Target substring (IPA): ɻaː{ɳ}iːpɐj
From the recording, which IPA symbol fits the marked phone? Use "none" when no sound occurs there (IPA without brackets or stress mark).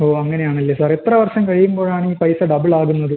ɳ